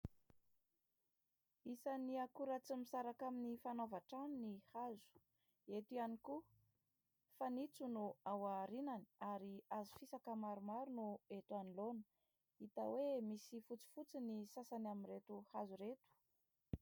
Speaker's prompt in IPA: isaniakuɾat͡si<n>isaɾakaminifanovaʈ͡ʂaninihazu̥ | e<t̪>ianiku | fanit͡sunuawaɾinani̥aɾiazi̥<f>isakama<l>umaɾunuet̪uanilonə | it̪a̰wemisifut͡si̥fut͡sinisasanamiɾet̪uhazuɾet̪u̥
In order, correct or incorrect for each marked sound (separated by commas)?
incorrect, correct, correct, incorrect